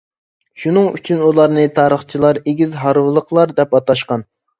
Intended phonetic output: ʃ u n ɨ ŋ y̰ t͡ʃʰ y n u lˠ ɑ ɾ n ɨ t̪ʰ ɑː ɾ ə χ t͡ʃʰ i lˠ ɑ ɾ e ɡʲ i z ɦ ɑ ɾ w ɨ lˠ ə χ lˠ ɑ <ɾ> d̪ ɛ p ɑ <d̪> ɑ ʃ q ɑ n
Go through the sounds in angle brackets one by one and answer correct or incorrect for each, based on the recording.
correct, incorrect: t̪

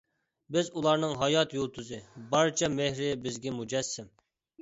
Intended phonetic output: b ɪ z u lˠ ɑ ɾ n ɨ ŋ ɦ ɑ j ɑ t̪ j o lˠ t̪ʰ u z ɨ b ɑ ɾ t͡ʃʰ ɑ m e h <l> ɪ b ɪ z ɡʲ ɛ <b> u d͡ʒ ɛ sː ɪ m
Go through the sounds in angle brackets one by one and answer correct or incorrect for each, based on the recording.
incorrect: ɾ, incorrect: m

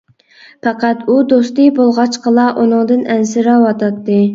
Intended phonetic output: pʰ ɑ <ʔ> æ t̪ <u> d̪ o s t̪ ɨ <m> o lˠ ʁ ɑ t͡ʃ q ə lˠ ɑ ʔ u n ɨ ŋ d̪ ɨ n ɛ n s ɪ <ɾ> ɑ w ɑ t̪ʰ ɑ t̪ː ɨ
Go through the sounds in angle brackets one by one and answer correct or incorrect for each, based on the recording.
incorrect: q, correct, incorrect: b, correct

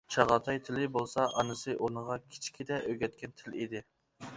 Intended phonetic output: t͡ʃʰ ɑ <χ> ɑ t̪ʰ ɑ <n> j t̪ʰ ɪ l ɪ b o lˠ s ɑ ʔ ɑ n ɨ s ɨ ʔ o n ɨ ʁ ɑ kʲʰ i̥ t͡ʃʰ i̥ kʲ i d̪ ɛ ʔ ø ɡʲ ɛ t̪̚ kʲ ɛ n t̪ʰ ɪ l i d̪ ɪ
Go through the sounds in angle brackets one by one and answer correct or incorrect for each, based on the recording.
incorrect: ʁ, incorrect: none

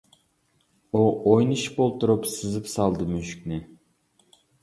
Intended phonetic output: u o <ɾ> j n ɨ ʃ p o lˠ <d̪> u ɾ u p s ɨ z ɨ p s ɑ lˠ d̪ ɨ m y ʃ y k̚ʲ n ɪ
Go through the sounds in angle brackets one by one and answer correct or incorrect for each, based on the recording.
incorrect: none, incorrect: t̪

